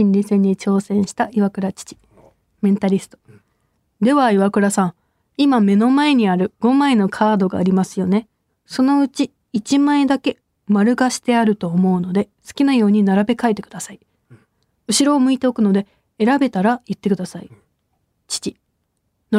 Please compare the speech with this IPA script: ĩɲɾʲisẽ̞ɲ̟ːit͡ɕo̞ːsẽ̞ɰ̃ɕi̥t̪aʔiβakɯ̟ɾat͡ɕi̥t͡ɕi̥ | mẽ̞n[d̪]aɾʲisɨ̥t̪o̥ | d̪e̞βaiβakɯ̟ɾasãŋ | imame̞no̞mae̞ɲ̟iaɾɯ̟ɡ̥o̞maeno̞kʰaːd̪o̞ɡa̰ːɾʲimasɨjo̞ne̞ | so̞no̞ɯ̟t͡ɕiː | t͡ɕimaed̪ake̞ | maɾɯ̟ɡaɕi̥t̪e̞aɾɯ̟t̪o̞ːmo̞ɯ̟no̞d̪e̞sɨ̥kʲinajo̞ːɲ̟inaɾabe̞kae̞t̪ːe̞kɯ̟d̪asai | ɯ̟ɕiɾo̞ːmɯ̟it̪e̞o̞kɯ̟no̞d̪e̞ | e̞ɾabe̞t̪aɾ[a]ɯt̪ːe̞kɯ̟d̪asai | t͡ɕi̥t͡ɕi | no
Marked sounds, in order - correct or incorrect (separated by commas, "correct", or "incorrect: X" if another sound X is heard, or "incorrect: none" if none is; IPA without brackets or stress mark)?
incorrect: t̪, correct